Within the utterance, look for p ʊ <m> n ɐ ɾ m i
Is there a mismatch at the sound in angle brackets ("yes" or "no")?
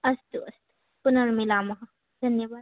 yes